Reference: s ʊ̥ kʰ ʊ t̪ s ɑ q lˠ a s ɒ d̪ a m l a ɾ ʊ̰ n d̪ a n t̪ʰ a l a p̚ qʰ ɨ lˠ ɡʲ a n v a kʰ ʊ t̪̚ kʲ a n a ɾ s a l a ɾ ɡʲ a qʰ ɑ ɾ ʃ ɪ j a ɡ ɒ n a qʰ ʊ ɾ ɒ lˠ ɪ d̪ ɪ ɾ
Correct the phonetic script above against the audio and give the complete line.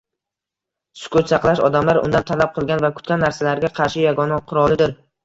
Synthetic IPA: s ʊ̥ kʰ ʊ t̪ s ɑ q lˠ a ʃ ɒ d̪ a m l a ɾ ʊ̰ n d̪ a n t̪ʰ a l a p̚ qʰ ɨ lˠ ɡʲ a n v a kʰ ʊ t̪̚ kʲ a nː a ɾ s a l a ɾ ɡʲ a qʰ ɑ ɾ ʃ ɪ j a ɡ ɒ n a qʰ ʊ ɾ ɒ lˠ ɪ d̪ ɪ ɾ